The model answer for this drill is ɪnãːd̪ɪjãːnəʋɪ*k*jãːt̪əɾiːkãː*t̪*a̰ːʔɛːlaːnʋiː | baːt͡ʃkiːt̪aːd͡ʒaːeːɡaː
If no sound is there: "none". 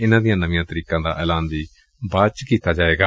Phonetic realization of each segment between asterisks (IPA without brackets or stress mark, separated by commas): none, d̪